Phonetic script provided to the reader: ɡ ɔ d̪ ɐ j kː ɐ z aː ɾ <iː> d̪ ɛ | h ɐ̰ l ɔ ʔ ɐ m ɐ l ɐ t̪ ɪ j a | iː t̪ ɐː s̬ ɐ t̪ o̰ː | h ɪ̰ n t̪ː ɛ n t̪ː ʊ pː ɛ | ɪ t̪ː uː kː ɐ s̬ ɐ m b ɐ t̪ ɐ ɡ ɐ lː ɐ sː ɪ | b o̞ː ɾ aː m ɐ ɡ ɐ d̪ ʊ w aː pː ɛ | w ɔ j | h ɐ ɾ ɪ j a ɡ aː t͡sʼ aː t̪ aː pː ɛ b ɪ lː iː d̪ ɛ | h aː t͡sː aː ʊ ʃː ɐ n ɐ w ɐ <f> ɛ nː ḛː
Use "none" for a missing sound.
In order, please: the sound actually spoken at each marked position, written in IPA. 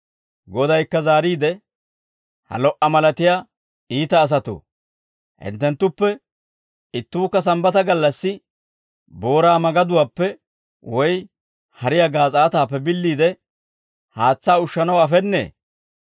iː, f

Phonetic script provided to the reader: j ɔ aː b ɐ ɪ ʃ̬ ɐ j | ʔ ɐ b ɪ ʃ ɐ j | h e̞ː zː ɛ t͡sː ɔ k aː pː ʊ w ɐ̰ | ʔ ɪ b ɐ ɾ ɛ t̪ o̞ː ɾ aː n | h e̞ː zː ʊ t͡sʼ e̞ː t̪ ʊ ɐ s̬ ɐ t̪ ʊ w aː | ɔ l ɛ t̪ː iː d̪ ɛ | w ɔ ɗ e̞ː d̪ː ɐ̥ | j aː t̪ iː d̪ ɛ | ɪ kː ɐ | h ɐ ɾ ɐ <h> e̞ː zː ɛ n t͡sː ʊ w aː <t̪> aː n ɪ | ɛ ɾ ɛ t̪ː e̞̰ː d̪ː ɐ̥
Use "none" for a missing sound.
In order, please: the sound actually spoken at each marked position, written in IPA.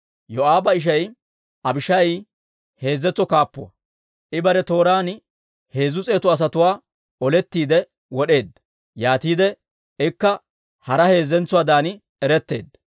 h, d̪

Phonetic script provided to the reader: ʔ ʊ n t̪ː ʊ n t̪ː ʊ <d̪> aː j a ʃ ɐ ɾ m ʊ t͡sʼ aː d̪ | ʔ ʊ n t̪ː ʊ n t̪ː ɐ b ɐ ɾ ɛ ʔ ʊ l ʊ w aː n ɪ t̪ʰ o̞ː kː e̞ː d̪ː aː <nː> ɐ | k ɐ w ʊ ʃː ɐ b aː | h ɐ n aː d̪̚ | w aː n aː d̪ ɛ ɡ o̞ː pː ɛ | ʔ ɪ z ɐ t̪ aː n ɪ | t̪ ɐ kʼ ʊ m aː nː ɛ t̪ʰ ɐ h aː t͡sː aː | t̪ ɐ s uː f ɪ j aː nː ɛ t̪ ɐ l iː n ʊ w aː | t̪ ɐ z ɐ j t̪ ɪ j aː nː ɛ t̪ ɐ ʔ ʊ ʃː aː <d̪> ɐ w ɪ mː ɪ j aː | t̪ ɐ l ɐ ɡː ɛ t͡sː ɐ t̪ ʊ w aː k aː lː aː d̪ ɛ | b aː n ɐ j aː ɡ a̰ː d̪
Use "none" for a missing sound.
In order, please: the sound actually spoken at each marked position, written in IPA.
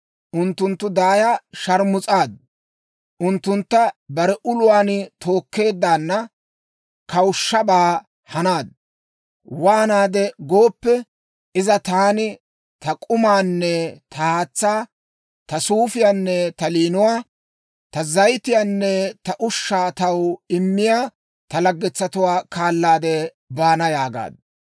d̪, nː, t̪

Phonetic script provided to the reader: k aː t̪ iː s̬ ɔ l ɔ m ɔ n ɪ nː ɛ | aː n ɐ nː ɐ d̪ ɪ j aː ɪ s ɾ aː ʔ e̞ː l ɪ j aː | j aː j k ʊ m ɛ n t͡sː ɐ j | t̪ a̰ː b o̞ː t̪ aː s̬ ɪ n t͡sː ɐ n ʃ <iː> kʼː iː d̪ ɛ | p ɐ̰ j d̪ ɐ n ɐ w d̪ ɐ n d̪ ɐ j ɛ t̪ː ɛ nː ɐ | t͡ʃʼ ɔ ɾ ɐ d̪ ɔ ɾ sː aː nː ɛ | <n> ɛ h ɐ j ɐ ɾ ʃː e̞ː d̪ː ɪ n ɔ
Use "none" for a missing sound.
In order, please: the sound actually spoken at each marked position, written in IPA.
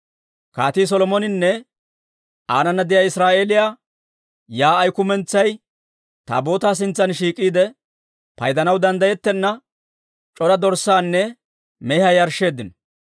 iː, m

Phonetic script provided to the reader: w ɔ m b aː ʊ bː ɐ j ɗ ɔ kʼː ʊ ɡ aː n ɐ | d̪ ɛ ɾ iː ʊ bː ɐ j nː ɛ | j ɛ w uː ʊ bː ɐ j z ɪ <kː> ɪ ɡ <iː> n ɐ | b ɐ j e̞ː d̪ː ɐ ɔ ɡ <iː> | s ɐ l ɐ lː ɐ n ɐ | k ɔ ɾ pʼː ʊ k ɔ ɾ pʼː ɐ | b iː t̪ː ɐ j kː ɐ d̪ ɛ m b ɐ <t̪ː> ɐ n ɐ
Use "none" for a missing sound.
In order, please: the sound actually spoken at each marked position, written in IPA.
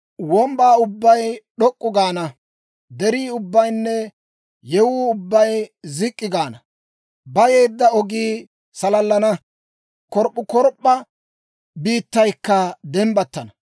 kʼː, aː, iː, t̪ː

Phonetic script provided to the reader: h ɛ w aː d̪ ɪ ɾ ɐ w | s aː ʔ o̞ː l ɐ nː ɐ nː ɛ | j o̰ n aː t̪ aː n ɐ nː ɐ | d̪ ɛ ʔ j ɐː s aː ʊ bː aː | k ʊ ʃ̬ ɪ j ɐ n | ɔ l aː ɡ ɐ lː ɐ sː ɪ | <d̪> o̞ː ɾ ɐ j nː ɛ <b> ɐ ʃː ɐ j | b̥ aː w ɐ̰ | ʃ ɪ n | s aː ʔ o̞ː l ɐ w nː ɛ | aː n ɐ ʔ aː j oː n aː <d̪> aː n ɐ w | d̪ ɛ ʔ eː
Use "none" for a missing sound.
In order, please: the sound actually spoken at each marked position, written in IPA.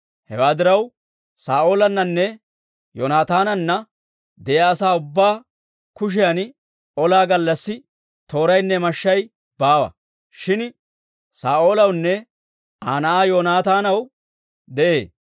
t̪, m, t̪

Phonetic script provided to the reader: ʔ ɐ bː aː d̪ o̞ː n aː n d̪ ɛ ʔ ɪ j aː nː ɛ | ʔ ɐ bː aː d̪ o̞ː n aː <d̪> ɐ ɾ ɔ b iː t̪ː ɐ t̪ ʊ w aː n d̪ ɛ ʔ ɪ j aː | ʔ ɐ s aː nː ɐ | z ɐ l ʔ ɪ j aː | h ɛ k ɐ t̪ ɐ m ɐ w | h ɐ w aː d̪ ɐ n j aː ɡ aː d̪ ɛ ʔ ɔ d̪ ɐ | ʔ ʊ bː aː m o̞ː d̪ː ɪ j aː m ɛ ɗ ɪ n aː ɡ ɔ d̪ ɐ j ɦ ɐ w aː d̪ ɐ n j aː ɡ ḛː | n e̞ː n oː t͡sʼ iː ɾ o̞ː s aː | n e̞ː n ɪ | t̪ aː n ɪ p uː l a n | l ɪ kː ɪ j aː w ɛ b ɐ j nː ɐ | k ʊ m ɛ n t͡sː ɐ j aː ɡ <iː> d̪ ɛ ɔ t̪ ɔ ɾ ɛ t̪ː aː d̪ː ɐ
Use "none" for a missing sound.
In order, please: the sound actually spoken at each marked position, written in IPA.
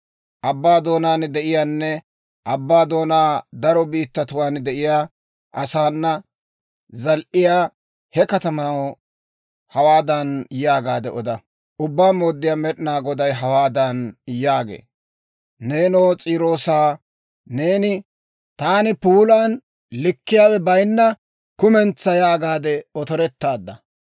d̪, aː

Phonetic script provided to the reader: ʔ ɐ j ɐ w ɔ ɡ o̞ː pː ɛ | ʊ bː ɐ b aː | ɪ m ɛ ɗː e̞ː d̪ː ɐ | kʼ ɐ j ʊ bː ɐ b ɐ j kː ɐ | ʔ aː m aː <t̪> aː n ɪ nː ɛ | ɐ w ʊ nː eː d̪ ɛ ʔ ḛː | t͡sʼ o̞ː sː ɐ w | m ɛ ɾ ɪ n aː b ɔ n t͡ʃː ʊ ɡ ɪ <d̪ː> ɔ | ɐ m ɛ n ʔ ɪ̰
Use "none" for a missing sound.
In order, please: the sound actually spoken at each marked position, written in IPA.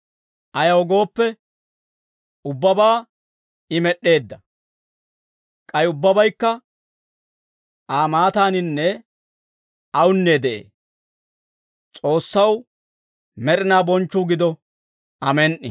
t̪, d̪

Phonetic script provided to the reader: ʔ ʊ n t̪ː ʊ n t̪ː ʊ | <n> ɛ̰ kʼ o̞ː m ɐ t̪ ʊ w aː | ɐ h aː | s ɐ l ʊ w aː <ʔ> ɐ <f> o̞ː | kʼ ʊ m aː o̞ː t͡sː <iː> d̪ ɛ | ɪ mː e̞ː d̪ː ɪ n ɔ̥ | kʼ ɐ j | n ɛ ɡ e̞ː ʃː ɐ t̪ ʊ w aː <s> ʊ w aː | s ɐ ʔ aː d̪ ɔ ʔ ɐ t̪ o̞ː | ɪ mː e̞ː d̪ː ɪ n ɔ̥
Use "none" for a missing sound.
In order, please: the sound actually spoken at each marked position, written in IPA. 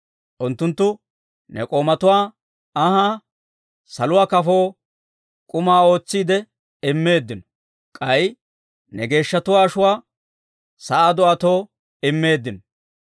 n, k, f, iː, ʃ

